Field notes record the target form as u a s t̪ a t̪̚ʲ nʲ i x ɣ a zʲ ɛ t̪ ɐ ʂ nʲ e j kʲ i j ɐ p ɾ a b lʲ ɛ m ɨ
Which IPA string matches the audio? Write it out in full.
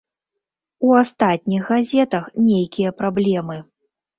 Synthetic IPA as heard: u a s t̪ a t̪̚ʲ nʲ i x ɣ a zʲ ɛ t̪ ɐ x nʲ e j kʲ i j ɐ p ɾ a b lʲ ɛ m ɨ